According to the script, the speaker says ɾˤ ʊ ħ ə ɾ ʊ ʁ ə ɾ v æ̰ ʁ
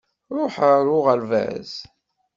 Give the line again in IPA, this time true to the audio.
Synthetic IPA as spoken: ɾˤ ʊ ħ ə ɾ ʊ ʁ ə l v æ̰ z